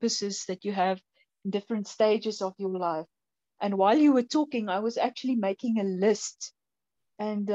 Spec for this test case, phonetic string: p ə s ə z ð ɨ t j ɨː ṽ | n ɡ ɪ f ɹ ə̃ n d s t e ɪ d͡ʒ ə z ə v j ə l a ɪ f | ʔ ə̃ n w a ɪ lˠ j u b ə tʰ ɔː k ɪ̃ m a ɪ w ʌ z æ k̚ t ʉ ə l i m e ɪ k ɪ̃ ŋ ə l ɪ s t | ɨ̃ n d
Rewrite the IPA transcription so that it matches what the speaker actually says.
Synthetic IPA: p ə s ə z ð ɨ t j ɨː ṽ | n d ɪ f ɹ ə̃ n t s t e ɪ d͡ʒ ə z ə v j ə l a ɪ f | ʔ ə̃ n w a ɪ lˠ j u w ə tʰ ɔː k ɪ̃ ŋ a ɪ w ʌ z æ k̚ t͡ʃ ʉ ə l i m e ɪ k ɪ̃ ŋ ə l ɪ s t | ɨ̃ n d